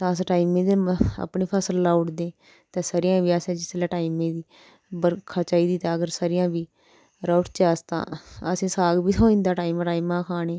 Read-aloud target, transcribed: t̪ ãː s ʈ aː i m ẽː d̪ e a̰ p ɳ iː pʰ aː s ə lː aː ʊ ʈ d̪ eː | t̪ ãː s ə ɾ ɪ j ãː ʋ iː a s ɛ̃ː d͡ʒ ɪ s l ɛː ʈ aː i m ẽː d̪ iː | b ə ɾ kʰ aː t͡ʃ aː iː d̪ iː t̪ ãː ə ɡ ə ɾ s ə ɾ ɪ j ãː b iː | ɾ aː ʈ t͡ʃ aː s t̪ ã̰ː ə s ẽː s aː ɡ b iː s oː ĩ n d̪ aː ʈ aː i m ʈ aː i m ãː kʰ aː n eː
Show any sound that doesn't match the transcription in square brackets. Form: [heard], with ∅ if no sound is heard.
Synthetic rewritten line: t̪ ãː s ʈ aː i m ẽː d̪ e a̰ p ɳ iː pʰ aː s ə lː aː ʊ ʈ d̪ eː | t̪ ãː s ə ɾ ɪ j ãː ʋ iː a s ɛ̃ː d͡ʒ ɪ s l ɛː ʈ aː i m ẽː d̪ iː | b ə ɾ kʰ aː t͡ʃ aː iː d̪ iː t̪ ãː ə ɡ ə ɾ s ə ɾ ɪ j ãː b iː | ɾ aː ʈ t͡ʃ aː s t̪ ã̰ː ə s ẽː s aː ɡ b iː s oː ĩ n d̪ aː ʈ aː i m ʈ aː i m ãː kʰ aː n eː